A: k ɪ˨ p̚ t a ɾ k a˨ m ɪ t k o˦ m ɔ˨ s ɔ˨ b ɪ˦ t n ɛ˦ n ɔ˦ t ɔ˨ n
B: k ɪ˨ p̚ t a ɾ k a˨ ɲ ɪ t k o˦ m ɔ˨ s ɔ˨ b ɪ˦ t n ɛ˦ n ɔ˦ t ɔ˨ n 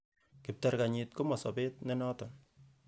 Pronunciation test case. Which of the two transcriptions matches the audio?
B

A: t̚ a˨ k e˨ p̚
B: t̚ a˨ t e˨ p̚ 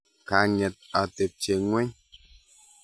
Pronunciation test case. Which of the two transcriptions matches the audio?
B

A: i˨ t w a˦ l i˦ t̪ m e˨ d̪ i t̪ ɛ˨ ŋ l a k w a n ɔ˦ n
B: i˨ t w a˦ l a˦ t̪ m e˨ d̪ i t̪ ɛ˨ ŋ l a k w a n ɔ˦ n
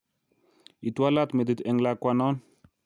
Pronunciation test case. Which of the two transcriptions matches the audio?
B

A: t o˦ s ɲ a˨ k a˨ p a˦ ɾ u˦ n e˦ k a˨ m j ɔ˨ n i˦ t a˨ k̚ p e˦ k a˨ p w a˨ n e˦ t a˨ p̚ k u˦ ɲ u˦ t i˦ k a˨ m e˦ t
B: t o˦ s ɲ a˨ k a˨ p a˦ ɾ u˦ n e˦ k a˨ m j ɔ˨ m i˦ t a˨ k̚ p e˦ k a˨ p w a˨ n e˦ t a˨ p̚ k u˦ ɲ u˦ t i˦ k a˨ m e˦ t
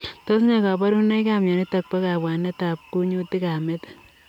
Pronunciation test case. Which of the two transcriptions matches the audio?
A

